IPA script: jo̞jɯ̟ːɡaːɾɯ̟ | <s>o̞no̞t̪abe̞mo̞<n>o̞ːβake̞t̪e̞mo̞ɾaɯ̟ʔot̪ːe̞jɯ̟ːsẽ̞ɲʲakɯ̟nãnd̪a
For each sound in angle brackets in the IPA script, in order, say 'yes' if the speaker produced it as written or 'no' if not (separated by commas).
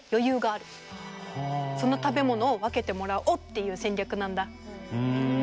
yes, yes